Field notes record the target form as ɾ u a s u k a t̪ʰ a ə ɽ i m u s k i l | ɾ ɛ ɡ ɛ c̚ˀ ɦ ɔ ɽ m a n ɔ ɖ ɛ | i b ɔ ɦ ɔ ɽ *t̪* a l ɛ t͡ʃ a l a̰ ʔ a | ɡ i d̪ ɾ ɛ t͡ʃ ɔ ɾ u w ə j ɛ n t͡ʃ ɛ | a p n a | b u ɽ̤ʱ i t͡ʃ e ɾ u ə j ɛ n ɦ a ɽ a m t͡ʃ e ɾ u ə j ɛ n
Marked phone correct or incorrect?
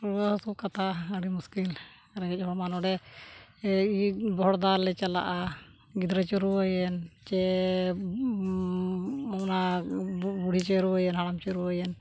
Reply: incorrect